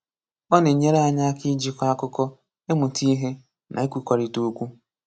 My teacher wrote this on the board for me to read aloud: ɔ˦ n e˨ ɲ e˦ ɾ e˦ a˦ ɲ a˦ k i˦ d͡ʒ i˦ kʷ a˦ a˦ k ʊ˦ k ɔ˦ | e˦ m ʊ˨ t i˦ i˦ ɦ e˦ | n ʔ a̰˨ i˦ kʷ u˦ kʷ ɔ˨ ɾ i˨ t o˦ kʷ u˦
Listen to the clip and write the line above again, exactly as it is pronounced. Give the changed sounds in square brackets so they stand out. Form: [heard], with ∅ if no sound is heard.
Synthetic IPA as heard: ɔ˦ n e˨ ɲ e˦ ɾ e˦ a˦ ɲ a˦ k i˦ d͡ʒ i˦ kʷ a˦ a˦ k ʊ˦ k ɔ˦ | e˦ m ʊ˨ t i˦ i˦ ɦ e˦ | n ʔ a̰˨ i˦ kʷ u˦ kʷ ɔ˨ ɾ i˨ t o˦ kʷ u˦